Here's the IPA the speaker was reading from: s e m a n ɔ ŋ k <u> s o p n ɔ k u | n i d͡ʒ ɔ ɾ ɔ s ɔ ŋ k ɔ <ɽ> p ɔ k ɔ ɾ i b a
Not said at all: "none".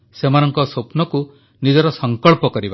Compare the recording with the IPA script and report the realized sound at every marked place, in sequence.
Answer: ɔ, ɭ

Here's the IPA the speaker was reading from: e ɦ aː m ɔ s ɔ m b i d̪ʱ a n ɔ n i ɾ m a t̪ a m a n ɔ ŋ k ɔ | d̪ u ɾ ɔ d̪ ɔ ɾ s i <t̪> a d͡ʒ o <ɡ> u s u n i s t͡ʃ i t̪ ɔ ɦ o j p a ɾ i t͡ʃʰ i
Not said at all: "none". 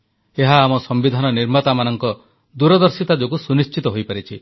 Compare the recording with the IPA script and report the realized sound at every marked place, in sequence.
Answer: t̪, k

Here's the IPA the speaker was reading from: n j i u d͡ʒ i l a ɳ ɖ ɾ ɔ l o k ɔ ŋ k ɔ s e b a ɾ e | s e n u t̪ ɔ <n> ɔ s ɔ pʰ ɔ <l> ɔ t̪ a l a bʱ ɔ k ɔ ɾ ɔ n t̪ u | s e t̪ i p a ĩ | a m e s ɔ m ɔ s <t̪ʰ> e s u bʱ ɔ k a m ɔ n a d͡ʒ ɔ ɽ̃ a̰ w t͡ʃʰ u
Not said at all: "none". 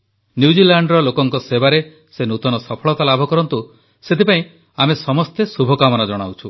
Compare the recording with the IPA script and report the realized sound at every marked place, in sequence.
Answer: n, ɭ, t̪

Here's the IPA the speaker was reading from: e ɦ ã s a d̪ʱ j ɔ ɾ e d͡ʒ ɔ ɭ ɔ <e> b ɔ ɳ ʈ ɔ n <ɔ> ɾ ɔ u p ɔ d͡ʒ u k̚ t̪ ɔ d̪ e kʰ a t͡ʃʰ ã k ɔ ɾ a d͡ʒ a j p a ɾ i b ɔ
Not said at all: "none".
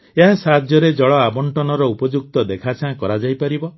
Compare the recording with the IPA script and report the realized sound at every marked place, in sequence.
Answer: a, ɔ

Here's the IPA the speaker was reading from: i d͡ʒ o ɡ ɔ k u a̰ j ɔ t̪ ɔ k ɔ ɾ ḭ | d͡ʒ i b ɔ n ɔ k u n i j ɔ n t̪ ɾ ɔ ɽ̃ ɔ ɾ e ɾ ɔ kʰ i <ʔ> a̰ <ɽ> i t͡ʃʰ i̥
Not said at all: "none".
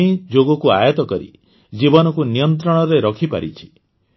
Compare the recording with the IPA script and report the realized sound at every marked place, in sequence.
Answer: p, ɾ

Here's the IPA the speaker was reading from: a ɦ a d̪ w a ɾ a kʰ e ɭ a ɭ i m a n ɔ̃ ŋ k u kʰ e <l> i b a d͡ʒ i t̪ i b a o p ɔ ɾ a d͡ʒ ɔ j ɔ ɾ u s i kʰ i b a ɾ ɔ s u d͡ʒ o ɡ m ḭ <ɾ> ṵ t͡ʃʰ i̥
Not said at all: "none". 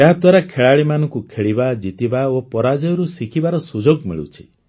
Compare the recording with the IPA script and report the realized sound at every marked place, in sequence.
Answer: ɭ, ɭ

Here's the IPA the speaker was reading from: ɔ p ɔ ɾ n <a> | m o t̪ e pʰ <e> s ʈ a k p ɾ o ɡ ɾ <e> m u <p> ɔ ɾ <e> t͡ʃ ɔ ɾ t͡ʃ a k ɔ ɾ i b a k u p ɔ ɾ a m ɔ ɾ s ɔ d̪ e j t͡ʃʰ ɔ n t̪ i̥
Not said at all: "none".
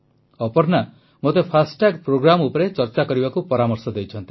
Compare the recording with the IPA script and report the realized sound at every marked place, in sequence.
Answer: a, a, a, p, e

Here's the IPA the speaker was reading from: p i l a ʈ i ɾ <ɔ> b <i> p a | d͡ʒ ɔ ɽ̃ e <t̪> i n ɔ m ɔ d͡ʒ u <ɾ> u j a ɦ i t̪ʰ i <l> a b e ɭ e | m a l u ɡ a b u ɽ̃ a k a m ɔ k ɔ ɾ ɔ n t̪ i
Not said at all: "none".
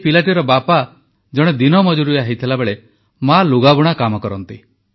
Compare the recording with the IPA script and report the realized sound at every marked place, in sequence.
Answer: ɔ, a, d̪, ɾ, l

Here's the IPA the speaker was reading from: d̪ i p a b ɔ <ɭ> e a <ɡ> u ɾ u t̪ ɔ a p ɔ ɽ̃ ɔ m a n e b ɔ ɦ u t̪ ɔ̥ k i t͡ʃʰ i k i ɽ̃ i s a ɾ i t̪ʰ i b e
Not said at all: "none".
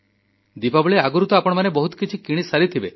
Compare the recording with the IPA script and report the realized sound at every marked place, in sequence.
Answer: ɭ, ɡ

